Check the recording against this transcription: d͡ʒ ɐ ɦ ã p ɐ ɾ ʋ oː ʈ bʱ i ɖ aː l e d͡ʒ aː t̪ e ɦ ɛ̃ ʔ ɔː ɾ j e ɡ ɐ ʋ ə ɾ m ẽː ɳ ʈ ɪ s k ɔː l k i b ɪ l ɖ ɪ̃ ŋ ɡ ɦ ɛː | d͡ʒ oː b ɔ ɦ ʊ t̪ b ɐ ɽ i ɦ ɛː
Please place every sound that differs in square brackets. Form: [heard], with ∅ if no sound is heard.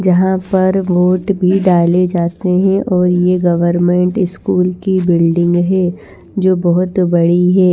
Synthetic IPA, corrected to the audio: d͡ʒ ɐ ɦ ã p ɐ ɾ ʋ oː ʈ bʱ i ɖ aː l e d͡ʒ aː t̪ e ɦ ɛ̃ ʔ ɔː ɾ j e ɡ ɐ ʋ ə ɾ m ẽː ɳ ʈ ɪ s k [uː] l k i b ɪ l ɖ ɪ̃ ŋ ɡ ɦ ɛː | d͡ʒ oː b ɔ ɦ ʊ t̪ b ɐ ɽ i ɦ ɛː